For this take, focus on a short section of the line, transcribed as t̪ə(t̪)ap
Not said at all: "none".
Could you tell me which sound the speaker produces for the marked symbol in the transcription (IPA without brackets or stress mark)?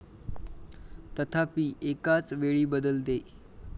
t̪ʰ